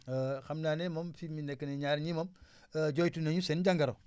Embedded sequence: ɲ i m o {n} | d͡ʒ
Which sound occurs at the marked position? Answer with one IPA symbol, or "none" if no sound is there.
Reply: m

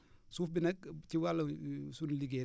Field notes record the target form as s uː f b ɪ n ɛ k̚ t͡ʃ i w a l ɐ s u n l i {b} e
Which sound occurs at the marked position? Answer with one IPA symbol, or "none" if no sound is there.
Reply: ɡ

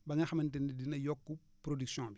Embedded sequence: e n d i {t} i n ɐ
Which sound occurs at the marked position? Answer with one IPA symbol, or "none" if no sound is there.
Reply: d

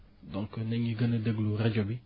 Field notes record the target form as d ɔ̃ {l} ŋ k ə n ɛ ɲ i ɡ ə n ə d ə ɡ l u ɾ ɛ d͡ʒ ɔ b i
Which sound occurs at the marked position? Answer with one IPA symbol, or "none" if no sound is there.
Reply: none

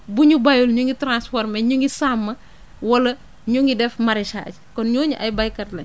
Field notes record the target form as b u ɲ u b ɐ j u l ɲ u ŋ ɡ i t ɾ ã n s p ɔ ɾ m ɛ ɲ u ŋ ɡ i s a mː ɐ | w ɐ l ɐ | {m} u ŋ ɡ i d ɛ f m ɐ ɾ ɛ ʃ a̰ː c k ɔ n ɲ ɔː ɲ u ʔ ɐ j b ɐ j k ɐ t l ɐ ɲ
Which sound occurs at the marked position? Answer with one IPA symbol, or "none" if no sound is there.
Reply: ɲ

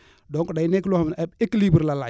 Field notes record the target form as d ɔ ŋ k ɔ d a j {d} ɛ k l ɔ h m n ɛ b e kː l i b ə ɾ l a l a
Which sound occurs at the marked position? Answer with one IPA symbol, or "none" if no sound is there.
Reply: n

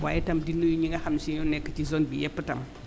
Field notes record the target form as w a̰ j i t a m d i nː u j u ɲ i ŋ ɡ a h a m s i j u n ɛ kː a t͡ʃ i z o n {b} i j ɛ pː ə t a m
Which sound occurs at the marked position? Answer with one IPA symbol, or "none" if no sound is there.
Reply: b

